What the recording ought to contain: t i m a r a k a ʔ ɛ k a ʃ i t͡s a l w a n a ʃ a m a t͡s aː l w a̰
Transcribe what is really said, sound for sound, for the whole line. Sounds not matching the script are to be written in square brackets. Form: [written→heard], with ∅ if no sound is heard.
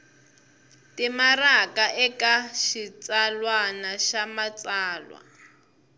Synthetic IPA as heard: t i m a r a k a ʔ ɛ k a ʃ i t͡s a l w a n a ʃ a m a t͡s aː l w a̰